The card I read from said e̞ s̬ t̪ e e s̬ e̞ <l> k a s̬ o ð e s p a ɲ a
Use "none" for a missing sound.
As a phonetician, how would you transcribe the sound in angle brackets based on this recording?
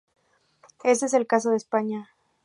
l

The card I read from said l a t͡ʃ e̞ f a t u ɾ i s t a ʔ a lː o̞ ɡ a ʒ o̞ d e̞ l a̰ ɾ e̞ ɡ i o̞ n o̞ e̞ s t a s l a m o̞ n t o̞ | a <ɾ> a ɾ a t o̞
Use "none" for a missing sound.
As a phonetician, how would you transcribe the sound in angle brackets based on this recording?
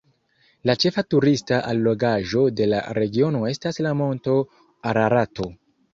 ɾ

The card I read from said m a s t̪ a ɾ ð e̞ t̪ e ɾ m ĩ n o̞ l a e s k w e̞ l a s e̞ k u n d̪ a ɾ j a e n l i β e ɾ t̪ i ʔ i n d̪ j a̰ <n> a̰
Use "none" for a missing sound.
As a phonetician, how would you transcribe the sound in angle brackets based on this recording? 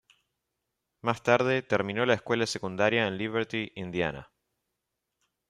n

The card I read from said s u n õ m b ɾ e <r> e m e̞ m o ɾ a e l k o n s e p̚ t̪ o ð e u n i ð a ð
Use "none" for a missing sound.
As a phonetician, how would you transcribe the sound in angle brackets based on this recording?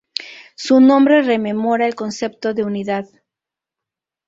r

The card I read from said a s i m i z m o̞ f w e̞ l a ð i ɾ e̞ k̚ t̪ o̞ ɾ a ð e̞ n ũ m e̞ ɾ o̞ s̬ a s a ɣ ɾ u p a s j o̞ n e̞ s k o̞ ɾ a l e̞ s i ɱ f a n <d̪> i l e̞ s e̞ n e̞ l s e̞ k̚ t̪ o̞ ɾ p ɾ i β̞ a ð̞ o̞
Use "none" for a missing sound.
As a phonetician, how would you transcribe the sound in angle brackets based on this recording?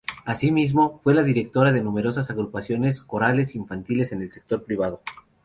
t̪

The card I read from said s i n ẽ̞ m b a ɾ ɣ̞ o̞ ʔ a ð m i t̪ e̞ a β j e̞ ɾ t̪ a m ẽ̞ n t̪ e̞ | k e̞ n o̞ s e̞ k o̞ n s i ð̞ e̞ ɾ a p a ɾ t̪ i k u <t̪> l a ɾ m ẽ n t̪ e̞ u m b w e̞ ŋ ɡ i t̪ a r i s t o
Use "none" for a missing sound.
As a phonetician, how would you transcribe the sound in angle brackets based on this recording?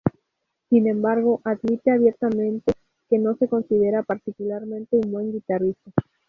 none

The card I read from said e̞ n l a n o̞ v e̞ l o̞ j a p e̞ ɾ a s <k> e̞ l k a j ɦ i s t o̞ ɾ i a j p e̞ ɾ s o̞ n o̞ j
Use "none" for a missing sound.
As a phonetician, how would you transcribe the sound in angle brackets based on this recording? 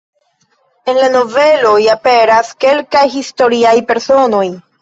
k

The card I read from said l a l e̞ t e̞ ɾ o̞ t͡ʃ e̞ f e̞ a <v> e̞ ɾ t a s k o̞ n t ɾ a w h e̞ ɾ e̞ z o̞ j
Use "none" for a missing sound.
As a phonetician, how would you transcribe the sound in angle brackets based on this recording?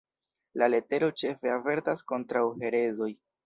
v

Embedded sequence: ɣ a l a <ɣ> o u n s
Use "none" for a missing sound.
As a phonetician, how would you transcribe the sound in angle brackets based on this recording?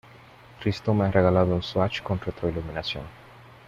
ð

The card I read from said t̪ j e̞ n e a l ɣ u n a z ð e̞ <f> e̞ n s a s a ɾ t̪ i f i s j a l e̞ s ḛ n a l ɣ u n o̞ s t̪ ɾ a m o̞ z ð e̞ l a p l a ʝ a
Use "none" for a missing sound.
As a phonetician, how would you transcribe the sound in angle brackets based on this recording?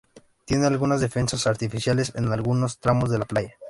f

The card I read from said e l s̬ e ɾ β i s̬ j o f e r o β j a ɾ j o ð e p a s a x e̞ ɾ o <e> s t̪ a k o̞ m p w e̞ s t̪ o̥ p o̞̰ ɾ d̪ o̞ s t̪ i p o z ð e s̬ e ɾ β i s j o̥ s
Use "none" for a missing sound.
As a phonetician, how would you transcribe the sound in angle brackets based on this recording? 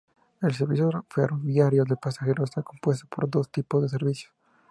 e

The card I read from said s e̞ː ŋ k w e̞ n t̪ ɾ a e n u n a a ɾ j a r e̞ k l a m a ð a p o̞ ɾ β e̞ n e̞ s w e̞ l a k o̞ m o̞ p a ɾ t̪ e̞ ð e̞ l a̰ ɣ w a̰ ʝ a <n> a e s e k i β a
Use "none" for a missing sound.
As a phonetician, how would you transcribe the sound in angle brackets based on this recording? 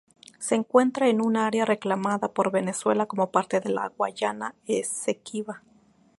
n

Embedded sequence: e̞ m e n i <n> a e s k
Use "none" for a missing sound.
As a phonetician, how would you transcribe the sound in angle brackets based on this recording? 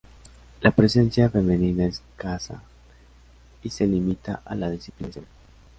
n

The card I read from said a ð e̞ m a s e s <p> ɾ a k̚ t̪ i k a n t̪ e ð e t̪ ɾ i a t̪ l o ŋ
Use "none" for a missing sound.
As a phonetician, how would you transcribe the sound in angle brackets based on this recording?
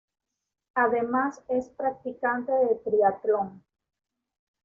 p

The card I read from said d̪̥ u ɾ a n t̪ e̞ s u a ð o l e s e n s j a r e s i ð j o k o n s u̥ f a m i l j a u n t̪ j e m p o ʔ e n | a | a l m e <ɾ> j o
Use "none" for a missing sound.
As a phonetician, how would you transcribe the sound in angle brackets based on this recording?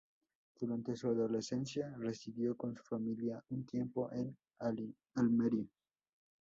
ɾ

